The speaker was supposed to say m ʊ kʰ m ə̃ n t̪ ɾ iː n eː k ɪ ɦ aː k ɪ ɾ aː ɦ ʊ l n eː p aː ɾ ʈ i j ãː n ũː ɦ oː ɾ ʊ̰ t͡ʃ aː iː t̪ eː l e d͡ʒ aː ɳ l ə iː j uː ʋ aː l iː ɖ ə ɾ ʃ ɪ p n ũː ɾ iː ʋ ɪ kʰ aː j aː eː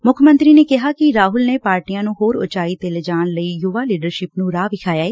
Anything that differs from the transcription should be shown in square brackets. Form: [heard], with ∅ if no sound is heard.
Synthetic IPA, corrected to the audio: m ʊ kʰ m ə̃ n t̪ ɾ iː n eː k ɪ ɦ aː k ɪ ɾ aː ɦ ʊ l n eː p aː ɾ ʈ i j ãː n ũː ɦ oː ɾ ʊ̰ t͡ʃ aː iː t̪ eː l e d͡ʒ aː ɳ l ə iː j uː ʋ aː l iː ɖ ə ɾ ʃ ɪ p n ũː ɾ [aː] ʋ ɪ kʰ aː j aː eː